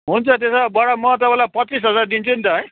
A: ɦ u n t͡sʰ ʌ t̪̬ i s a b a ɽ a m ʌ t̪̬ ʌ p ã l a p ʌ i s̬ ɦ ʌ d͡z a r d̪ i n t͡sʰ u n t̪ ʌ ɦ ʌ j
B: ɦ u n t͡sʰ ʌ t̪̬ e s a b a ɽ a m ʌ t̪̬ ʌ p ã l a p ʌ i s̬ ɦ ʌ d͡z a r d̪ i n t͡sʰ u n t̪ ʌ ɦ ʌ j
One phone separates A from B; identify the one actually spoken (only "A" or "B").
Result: B